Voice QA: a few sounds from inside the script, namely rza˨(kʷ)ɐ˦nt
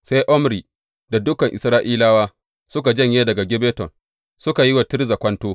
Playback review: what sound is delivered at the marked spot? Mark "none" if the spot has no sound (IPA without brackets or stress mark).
kʷ